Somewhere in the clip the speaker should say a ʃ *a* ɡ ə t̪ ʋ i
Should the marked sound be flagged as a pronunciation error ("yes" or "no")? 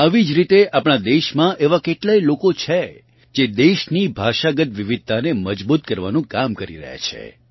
no